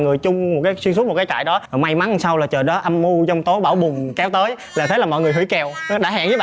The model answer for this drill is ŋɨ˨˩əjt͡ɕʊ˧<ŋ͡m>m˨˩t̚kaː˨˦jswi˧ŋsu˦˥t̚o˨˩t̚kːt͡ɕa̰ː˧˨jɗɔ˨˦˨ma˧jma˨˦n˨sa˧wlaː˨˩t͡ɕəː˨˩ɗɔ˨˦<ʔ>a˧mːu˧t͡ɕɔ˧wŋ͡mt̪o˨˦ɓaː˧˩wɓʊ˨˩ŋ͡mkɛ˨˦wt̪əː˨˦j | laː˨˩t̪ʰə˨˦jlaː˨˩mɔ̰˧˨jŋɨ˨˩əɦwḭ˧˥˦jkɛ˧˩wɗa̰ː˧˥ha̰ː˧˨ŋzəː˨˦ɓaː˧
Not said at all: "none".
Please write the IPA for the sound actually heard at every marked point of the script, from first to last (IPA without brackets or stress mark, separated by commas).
ŋ͡m, ʔ